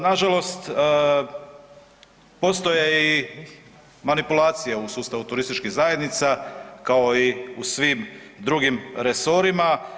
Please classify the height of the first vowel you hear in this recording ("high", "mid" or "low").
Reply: low